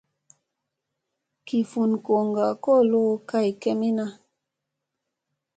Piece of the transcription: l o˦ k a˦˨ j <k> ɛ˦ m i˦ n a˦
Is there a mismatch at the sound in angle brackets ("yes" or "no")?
no